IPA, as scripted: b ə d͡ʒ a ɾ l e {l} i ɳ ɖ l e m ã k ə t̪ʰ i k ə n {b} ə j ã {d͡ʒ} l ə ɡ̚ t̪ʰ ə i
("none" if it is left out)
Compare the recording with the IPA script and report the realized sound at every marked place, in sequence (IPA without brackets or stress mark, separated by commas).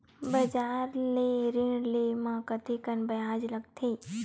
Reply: ɾ, b, d͡ʒ